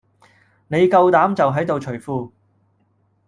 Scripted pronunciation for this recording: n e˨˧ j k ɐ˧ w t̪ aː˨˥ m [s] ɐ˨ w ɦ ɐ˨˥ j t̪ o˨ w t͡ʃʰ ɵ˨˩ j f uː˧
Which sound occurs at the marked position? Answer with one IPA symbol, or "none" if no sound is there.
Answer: t͡s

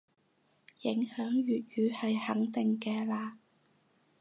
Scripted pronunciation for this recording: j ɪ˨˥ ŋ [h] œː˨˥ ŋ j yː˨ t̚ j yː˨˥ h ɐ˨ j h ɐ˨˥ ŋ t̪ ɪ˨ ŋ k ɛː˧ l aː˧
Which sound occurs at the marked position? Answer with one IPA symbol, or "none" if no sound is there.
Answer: h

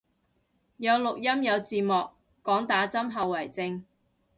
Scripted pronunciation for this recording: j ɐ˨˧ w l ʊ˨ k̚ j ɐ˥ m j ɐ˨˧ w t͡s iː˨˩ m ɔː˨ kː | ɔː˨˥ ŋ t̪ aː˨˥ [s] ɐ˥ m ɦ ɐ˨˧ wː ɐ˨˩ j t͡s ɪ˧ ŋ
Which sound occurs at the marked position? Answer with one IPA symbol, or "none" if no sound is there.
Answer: t͡s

